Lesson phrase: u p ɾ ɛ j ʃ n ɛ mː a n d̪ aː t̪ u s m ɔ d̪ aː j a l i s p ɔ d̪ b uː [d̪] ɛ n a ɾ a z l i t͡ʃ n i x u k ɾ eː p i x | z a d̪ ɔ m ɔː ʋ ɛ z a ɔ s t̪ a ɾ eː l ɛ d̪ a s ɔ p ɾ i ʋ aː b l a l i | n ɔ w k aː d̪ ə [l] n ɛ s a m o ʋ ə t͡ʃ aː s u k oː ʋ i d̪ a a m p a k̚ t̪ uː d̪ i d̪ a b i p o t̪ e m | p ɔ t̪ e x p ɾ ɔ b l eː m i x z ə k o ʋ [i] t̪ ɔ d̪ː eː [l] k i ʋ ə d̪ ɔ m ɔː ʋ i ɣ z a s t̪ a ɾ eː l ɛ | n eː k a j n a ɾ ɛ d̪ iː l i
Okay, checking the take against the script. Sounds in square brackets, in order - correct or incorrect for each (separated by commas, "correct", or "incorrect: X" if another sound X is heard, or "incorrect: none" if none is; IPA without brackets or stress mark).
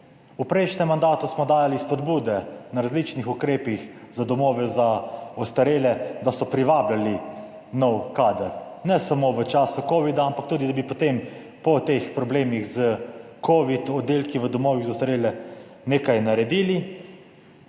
correct, incorrect: ɾ, correct, correct